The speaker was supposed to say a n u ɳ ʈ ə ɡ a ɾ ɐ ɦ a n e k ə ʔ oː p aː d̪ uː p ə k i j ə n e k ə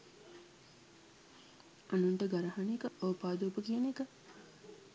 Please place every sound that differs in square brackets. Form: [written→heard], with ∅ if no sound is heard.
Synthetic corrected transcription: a n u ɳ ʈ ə ɡ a ɾ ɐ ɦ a n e k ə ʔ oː p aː d̪ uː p ə k i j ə n e k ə